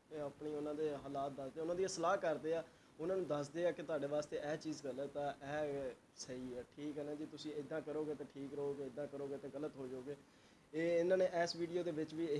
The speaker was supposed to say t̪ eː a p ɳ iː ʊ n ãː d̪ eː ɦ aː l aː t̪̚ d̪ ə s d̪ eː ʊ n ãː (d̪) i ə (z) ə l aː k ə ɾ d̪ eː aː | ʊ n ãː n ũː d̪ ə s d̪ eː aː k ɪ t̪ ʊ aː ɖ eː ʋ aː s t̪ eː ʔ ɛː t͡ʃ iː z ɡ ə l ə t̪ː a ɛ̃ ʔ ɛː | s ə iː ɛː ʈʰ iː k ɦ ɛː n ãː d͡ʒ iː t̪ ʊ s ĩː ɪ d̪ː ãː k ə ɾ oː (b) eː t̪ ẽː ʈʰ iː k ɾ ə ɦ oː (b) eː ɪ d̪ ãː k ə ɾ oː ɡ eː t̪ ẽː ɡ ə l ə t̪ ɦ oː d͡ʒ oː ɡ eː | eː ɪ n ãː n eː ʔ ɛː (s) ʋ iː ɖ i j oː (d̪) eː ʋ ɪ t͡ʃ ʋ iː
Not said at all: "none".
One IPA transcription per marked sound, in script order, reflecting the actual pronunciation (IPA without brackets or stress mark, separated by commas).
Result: d̪, s, ɡ, ɡ, s, d̪